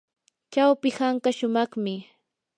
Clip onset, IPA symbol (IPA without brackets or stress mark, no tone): t͡ʃ